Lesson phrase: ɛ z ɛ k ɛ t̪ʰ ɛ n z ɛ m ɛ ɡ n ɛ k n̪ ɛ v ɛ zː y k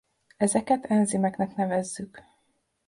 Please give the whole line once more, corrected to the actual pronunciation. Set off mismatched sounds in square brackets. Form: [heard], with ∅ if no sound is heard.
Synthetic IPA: ɛ z ɛ k ɛ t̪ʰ ɛ n z [i] m ɛ [k] n ɛ k n̪ ɛ v ɛ zː y k